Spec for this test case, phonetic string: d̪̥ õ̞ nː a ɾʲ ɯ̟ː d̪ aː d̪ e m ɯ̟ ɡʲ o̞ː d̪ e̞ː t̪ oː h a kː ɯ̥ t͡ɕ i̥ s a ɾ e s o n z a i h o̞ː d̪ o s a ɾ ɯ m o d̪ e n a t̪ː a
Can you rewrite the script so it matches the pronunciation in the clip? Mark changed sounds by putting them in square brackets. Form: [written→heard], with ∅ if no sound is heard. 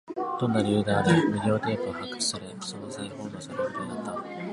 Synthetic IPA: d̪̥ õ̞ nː a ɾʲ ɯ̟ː d̪ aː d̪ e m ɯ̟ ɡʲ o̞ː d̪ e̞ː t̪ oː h a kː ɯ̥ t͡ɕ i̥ s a ɾ e s o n z a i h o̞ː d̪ o s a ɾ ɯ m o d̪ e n a t̪ː a